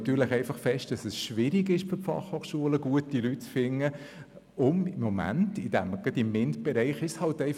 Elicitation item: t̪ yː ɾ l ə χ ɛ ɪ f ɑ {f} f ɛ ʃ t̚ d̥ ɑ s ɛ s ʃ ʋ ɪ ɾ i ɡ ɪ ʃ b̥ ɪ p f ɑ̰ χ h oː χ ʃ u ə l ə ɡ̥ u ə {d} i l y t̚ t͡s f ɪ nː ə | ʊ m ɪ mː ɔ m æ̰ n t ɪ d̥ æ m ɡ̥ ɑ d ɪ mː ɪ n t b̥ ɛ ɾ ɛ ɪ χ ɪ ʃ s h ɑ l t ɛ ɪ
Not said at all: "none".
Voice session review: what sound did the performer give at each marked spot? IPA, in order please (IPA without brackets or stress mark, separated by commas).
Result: χ, t